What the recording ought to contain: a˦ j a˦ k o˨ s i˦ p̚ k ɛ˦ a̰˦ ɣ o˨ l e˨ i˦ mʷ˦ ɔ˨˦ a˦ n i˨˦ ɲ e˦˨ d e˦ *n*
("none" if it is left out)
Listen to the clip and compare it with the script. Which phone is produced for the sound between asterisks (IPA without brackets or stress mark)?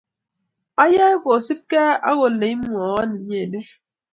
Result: none